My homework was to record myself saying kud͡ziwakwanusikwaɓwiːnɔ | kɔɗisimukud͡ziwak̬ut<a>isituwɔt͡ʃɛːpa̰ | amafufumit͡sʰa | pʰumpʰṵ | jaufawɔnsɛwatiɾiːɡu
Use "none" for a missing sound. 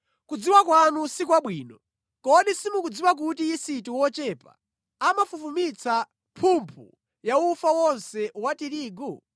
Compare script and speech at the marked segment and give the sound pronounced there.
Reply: i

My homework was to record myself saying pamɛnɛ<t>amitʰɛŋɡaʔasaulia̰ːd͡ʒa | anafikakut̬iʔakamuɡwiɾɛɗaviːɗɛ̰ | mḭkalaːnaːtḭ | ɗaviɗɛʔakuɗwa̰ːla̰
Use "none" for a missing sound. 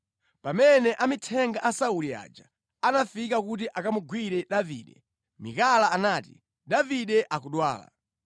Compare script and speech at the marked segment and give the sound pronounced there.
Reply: ʔ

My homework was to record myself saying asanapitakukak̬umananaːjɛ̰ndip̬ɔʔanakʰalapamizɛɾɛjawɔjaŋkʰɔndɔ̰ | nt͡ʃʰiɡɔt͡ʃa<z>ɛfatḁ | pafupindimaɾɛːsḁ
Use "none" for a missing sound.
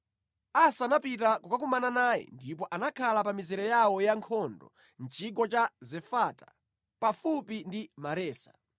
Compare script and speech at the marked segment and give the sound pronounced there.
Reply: z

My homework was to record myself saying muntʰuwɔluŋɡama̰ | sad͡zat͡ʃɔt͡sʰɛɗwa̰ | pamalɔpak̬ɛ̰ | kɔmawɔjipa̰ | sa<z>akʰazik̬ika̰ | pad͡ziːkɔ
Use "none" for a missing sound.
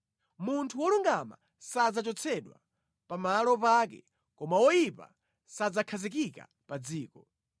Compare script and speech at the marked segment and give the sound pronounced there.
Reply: d͡z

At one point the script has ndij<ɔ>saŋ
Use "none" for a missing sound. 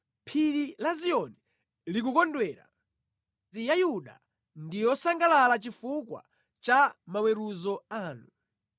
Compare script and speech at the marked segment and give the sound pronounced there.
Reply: ɔ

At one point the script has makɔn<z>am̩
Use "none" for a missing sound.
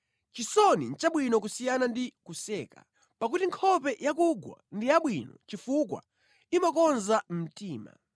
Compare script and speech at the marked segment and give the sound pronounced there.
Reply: z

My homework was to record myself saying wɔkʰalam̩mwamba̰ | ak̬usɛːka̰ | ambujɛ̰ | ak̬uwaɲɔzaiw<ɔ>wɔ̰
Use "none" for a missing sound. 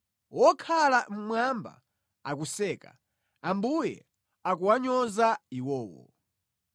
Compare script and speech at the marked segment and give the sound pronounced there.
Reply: ɔː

